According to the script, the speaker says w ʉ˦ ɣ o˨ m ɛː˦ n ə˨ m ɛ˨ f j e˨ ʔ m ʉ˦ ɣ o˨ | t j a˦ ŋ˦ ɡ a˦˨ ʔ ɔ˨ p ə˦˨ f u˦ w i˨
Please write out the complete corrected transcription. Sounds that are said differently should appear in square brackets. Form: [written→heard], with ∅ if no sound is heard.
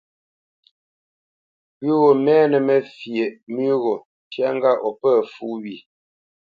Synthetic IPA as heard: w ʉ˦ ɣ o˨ m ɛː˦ n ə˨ m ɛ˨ f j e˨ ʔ m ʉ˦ ɣ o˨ | t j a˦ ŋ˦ ɡ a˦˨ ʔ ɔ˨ p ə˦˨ f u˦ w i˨